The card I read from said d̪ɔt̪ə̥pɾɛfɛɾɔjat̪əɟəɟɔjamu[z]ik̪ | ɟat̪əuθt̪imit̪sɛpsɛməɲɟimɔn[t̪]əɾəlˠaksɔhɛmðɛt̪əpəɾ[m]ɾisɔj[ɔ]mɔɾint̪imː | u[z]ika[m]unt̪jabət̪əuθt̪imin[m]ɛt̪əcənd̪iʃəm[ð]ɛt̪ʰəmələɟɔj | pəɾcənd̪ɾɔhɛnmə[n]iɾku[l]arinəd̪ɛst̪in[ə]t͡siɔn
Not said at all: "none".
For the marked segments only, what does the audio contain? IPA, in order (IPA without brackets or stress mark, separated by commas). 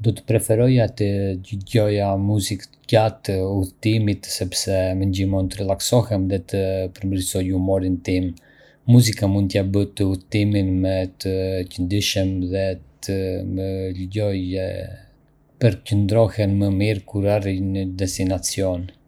z, t̪, m, u, z, m, m, ð, m, ɾ, a